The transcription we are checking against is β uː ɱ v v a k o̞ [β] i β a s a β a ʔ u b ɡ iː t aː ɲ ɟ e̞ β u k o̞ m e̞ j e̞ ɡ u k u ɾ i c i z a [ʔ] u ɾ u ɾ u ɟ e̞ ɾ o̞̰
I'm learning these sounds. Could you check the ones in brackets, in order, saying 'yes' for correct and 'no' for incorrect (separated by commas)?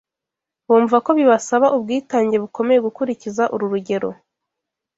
yes, yes